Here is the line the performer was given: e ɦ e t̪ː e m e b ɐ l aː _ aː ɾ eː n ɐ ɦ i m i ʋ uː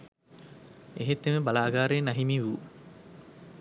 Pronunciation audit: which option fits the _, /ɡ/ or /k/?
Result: ɡ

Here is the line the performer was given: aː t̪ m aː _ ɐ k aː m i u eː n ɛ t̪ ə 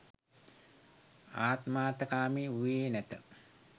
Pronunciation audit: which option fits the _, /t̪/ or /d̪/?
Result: t̪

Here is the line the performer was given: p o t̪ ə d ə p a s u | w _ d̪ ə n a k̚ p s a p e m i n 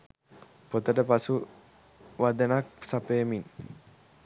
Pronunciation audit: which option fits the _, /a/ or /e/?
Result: a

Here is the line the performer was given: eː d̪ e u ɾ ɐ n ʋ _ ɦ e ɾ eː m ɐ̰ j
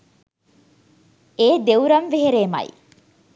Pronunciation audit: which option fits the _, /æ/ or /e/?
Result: e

